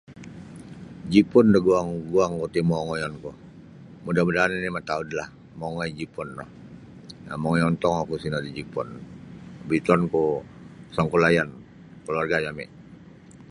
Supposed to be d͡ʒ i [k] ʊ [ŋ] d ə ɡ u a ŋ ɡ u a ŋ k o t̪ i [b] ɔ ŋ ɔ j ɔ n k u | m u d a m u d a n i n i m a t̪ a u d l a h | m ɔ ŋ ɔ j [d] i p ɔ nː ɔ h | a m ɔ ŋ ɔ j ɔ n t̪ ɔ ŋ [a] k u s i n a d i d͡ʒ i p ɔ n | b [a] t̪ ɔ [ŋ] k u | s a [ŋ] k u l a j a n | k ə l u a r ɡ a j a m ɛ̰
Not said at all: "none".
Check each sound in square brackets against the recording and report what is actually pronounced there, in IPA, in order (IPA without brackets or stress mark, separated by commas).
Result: p, n, m, d͡ʒ, a, i, n, ŋ